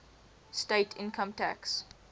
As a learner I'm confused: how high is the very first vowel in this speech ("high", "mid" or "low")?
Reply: mid